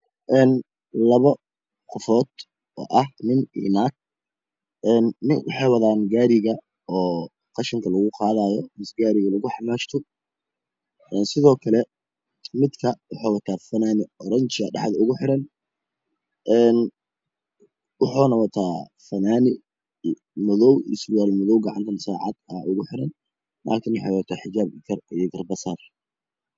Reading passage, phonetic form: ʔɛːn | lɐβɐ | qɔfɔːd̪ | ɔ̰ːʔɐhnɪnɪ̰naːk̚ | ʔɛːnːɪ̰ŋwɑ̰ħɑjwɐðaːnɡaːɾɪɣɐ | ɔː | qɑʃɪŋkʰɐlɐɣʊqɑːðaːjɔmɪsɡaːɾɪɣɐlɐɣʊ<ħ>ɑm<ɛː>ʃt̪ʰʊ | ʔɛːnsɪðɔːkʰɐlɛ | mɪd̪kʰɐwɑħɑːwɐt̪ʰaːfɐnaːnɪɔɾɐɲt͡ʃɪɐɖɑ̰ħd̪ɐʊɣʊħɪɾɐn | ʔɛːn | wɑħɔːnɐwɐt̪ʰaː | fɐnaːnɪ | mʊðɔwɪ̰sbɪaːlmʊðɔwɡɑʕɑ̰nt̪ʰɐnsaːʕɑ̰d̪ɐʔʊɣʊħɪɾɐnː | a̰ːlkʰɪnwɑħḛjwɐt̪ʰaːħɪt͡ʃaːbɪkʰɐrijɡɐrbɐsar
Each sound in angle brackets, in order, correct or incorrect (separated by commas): correct, incorrect